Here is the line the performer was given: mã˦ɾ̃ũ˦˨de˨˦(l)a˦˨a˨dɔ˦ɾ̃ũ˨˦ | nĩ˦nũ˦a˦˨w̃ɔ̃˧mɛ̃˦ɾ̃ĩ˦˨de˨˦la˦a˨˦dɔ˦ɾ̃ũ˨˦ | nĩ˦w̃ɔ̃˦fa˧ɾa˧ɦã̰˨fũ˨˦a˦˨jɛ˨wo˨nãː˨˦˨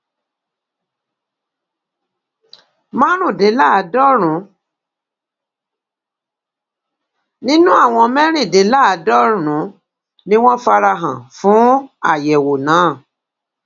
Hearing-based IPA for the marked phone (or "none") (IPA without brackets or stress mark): l